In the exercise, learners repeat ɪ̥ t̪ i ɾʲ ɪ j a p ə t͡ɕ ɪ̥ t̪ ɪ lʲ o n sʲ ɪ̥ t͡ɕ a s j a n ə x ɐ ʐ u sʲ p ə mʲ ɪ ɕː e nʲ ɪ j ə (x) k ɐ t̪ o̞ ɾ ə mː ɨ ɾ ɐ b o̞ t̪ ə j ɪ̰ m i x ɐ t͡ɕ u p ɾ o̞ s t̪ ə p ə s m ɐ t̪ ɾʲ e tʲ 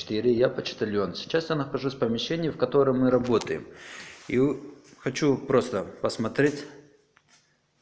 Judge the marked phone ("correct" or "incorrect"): incorrect